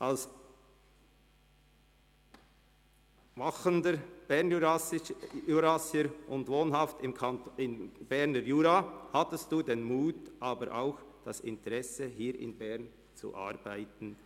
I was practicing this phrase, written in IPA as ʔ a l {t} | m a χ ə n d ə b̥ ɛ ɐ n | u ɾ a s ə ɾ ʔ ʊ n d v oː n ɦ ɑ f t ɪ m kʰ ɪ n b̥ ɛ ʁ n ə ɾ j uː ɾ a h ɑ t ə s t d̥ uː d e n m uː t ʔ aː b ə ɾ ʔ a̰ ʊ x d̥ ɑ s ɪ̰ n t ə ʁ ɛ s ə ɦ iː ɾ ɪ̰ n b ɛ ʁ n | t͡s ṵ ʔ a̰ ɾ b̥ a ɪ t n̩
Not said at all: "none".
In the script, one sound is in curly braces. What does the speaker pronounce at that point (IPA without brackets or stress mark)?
s